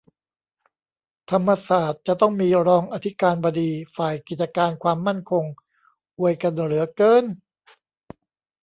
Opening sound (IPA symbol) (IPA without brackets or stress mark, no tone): t̪ʰ